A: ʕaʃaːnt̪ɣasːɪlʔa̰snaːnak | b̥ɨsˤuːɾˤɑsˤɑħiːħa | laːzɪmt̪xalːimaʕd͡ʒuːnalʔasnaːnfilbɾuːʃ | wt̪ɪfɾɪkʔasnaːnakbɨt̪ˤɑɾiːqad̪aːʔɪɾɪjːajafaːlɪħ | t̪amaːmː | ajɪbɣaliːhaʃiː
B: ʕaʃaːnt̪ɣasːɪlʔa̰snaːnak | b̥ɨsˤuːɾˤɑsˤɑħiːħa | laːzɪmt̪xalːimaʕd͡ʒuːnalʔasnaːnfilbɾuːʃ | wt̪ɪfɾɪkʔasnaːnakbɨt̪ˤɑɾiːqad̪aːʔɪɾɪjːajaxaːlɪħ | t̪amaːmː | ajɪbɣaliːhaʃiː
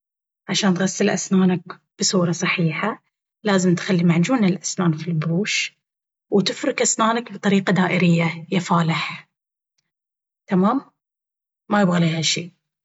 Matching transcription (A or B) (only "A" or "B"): A